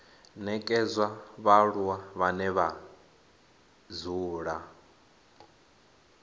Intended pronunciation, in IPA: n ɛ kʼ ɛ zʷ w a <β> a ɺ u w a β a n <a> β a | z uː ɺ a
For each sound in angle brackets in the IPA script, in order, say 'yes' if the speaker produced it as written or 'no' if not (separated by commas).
yes, no